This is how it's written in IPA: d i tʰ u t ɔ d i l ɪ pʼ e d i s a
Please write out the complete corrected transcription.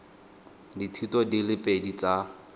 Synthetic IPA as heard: d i tʰ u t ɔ d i l ɪ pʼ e d i t͡s a